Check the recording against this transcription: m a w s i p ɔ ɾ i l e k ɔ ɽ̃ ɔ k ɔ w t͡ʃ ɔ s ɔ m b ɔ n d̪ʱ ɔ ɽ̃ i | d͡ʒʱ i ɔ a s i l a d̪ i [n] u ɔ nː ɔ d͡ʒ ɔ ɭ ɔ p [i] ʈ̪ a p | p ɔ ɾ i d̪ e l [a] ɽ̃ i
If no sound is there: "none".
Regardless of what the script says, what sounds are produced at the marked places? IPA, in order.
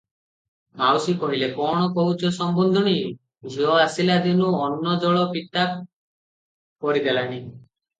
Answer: n, i, a

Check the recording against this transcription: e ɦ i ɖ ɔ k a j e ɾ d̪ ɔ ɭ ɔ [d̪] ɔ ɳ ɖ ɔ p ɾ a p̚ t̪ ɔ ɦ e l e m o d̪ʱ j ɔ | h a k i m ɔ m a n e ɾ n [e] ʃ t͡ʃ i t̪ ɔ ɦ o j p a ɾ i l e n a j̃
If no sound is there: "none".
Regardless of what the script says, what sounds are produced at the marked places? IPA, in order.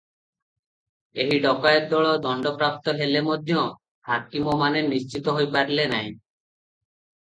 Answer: d̪, i

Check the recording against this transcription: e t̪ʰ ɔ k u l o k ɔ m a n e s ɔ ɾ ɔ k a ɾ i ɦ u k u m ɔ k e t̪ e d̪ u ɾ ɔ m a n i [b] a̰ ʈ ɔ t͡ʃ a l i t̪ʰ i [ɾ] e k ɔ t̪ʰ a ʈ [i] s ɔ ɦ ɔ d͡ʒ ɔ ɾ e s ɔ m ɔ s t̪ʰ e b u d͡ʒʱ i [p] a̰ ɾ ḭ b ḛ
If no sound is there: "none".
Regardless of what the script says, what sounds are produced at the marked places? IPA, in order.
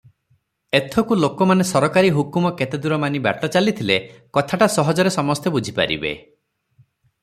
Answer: b, l, a, p

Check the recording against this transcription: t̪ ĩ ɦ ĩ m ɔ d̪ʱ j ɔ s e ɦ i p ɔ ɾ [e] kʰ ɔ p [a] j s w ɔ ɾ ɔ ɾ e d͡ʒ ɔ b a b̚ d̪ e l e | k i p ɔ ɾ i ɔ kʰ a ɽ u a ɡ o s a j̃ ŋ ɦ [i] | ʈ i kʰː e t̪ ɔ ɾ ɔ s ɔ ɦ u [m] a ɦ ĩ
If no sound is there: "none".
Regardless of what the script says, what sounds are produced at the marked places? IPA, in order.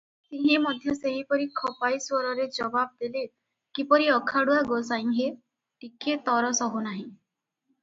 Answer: i, a, e, n

